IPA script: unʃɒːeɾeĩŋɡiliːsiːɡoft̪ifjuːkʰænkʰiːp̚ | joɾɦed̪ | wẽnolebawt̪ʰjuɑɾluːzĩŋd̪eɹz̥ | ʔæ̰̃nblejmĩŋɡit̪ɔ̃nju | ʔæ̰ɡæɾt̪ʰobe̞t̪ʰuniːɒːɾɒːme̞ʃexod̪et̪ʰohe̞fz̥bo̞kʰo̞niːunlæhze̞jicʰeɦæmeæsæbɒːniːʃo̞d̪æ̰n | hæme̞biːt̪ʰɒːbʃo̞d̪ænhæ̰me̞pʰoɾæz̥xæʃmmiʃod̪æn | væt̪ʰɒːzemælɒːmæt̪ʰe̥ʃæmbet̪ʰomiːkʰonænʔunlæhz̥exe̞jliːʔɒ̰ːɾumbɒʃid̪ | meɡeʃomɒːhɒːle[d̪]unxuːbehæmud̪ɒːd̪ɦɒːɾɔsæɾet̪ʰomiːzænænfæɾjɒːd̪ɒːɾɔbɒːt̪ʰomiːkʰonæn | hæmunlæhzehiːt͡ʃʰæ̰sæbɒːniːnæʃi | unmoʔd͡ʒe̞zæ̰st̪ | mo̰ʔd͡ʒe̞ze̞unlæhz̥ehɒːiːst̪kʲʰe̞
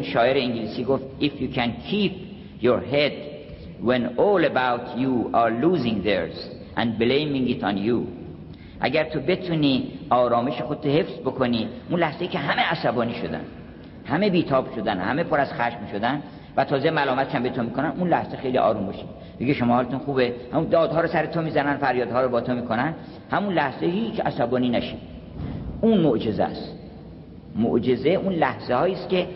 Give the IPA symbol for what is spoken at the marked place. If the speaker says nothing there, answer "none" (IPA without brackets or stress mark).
t̪